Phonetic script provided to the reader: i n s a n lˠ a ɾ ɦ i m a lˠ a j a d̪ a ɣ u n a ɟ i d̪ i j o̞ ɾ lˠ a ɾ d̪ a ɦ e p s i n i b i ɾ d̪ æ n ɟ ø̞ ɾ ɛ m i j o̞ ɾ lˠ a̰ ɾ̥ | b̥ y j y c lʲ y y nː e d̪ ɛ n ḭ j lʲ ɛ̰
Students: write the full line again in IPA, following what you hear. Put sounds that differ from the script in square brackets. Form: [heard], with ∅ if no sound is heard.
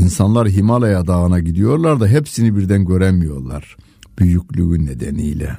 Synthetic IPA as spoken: i n s a n lˠ a ɾ ɦ i m a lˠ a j a d̪ a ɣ [ɯ] n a ɟ i d̪ i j o̞ ɾ lˠ a ɾ d̪ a ɦ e p s i n i b i ɾ d̪ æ n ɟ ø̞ ɾ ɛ m i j o̞ ɾ lˠ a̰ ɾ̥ | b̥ y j y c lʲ y y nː e d̪ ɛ n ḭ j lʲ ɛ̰